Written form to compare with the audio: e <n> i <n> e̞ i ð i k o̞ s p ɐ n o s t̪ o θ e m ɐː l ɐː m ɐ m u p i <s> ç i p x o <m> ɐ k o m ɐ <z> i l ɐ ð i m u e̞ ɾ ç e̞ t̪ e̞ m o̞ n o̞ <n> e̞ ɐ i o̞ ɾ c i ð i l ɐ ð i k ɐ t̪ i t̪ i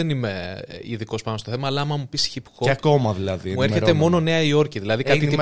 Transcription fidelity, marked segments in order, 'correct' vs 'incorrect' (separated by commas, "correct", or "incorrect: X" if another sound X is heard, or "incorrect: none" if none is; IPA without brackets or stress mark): correct, incorrect: m, correct, incorrect: none, incorrect: ð, correct